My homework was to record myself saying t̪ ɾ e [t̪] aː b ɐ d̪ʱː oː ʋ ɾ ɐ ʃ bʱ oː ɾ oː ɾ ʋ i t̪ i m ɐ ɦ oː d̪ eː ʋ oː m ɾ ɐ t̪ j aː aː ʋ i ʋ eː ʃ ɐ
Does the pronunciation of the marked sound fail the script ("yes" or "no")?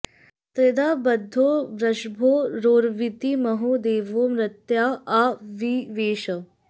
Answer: yes